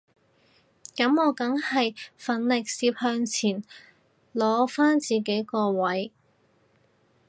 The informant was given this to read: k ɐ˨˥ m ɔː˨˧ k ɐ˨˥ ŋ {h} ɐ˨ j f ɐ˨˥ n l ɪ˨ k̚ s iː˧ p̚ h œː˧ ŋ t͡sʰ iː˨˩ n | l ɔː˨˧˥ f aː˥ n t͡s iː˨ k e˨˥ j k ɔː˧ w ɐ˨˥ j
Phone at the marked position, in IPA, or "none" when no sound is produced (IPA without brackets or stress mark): h